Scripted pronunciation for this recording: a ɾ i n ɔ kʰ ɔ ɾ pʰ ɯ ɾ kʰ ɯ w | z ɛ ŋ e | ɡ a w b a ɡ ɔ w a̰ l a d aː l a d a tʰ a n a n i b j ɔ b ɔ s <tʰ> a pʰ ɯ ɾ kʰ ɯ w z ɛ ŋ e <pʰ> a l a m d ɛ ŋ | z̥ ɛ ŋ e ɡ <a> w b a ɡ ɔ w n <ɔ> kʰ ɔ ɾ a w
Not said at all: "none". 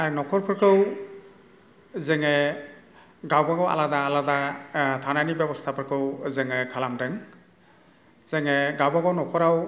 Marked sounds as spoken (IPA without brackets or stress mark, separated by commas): tʰ, kʰ, a, ɔ